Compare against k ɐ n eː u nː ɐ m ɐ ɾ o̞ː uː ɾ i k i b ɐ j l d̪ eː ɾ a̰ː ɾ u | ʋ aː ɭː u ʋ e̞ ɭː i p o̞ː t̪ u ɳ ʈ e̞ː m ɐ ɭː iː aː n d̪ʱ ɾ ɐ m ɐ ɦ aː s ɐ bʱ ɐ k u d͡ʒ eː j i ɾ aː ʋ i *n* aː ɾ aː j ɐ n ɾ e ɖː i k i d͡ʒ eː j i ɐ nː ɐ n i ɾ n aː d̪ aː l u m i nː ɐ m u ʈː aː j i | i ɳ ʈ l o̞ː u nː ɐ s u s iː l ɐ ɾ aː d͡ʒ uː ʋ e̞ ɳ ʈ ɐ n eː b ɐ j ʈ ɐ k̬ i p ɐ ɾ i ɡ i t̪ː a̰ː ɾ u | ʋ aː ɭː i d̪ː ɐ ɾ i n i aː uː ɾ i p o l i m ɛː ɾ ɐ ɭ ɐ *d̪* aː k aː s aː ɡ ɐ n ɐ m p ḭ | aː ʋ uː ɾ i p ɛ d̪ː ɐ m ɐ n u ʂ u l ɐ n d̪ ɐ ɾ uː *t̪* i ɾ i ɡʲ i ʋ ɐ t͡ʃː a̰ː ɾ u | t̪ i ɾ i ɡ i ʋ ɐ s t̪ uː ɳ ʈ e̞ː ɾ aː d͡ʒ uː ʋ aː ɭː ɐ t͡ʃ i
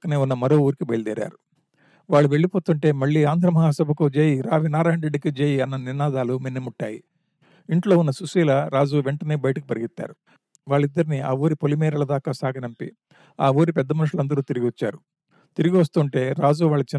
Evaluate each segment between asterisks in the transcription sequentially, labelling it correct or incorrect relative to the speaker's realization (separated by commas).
correct, correct, correct